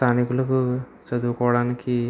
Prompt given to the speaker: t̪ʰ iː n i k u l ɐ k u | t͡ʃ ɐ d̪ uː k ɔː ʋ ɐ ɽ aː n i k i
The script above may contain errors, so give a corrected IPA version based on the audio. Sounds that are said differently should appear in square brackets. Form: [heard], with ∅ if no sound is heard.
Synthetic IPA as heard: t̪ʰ [aː] n i k u l ɐ k u | t͡ʃ ɐ d̪ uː k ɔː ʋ ɐ ɽ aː n i k i